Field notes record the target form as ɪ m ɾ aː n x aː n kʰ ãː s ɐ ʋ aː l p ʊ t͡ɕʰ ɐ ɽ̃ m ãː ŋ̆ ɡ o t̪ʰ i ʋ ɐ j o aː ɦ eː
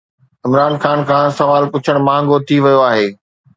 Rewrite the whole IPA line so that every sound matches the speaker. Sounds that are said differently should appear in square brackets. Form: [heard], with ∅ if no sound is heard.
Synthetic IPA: ɪ m ɾ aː n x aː n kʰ ãː s ɐ ʋ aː l p ʊ t͡ɕʰ [ə] ɽ̃ m ãː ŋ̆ ɡ o t̪ʰ i ʋ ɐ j o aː ɦ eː

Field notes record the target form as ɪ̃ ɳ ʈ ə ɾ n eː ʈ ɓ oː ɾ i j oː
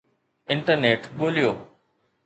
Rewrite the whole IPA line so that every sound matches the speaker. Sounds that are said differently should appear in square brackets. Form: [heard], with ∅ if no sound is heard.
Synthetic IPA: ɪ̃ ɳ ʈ ə ɾ n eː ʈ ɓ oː [l] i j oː

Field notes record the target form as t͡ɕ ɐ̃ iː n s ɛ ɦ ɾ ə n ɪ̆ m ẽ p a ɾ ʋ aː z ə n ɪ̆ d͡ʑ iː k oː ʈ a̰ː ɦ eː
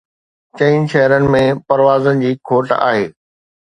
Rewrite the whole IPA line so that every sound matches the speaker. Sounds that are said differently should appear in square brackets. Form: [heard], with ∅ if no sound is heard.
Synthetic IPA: t͡ɕ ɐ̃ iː n [ʃ] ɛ ɦ ɾ ə n ɪ̆ m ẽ p [ɐ] ɾ ʋ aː z ə n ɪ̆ d͡ʑ iː [kʰ] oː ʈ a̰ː ɦ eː

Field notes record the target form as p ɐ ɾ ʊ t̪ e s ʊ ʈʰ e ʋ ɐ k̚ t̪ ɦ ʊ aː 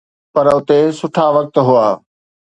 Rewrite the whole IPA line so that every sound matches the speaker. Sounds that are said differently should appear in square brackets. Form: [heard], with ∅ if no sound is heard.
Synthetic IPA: p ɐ ɾ ʊ t̪ e s ʊ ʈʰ [a] ʋ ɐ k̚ t̪ ɦ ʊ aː

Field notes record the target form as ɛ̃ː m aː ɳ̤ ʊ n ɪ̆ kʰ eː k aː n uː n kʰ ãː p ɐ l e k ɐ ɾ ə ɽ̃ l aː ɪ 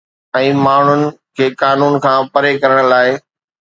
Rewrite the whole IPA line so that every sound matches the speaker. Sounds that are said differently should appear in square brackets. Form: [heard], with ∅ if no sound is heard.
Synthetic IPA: ɛ̃ː m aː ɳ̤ ʊ n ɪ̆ kʰ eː k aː n uː n kʰ ãː p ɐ [ɾ] e k ɐ ɾ ə ɽ̃ l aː ɪ

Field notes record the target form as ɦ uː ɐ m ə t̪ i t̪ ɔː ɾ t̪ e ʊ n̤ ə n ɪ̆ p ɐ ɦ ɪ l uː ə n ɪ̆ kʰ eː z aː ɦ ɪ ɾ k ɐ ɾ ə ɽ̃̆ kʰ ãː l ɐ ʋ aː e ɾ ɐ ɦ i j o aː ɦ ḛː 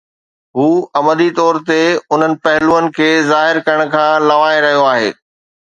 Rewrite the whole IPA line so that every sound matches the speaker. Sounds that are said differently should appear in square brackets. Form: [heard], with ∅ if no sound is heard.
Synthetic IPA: ɦ uː ɐ m ə [d̪] i t̪ ɔː ɾ t̪ e ʊ n̤ ə n ɪ̆ p ɐ ɦ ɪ l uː ə n ɪ̆ kʰ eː z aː ɦ ɪ ɾ k ɐ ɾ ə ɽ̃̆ kʰ ãː l ɐ ʋ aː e ɾ ɐ ɦ i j o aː ɦ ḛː

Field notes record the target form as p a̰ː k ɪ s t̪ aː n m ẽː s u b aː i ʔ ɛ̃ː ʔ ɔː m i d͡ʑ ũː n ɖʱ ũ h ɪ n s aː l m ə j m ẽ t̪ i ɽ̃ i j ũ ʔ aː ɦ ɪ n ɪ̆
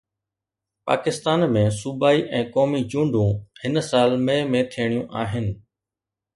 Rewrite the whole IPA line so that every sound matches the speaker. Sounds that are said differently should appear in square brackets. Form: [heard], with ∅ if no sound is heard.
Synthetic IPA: p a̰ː k ɪ s t̪ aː n m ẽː s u b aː i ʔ ɛ̃ː [k] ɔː m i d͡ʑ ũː [ɳ] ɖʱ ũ h ɪ n s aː l m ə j m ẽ [t̪ʰ] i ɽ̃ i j ũ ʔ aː ɦ ɪ n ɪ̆

